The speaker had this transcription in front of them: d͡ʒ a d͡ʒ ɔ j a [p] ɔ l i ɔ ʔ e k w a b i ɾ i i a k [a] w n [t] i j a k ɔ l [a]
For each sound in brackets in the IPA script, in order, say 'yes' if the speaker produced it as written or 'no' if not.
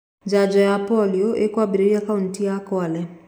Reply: yes, yes, yes, no

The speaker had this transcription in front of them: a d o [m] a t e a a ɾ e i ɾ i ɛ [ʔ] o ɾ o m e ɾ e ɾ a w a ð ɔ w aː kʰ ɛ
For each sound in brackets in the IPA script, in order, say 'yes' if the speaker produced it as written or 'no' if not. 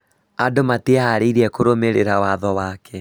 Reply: yes, no

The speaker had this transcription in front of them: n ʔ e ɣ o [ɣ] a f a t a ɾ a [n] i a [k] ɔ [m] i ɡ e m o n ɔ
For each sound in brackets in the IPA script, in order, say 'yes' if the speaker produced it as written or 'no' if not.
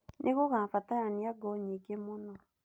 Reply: yes, yes, no, no

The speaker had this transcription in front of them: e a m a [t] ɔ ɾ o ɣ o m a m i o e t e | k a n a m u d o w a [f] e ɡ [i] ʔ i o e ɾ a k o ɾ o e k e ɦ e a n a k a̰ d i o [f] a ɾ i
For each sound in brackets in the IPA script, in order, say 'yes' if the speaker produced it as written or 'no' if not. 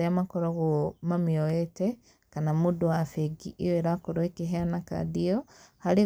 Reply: no, yes, yes, no

